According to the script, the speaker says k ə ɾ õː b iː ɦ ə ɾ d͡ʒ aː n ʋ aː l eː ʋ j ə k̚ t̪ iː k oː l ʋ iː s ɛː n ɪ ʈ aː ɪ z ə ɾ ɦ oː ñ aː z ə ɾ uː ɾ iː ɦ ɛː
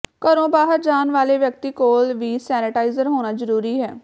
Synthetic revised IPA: k ə ɾ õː b aː ɦ ə ɾ d͡ʒ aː n ʋ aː l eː ʋ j ə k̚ t̪ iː k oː l ʋ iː s ɛː n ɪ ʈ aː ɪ z ə ɾ ɦ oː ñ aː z ə ɾ uː ɾ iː ɦ ɛː